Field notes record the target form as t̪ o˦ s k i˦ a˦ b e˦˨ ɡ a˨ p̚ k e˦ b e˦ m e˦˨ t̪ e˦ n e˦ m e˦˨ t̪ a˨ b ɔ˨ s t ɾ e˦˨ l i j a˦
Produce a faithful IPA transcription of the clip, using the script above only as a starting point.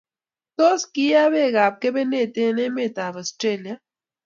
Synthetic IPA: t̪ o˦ s k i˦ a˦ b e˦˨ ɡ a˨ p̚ k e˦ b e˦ n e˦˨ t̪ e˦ n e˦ m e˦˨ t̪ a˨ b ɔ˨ s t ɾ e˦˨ l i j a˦

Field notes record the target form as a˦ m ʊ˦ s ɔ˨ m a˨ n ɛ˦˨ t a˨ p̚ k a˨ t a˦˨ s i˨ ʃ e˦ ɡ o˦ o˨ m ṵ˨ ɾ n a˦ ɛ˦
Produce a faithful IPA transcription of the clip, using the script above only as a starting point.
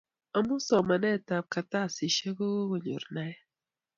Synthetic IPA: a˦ m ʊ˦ s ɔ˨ m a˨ n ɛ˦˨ t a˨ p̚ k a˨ t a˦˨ s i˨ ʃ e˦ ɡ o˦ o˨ ɲ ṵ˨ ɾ n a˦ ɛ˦

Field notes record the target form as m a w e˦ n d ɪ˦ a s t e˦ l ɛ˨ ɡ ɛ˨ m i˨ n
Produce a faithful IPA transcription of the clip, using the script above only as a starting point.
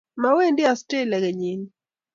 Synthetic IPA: m a w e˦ n d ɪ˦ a s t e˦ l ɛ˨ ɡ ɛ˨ ɲ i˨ n

